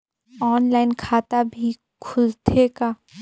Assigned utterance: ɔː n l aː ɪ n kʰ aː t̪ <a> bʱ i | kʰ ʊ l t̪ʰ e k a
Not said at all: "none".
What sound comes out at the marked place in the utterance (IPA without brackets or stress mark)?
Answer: a